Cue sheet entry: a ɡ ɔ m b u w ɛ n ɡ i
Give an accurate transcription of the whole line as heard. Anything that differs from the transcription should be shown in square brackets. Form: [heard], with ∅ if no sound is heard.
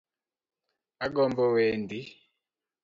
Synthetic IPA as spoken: a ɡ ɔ m b [ɔ] w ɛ n [d] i